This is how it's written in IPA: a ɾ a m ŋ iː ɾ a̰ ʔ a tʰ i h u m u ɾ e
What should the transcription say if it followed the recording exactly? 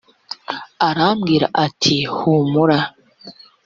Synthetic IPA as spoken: a ɾ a m ɡ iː ɾ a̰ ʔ a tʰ i h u m u ɾ a

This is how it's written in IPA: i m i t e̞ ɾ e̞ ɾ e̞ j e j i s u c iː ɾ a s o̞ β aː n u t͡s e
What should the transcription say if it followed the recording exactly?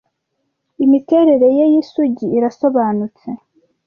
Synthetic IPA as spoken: i m i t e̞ ɾ e̞ ɾ e̞ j e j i s u ɟ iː ɾ a s o̞ β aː n u t͡s e

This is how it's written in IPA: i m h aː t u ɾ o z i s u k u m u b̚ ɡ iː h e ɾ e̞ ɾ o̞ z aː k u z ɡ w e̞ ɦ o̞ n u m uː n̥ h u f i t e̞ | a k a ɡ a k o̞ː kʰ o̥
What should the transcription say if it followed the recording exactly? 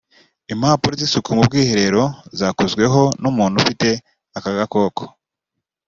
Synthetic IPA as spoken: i m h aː p u ɾ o z i s u k u m u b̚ ɡ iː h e ɾ e̞ ɾ o̞ z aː k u z ɡ w e̞ ɦ o̞ n u m uː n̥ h u f i t e̞ | a k a ɡ a k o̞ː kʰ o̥

